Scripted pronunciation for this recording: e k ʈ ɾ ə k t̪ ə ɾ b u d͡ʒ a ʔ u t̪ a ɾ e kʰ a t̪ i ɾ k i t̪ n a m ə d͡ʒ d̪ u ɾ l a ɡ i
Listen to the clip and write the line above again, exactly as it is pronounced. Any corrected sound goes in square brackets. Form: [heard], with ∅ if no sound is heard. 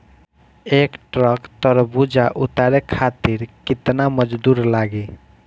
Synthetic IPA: e k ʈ ɾ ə k t̪ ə ɾ b u d͡ʒ a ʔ u t̪ a ɾ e kʰ a t̪ i ɾ k i t̪ n a m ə d͡ʒ d̪ u ɾ l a ɡ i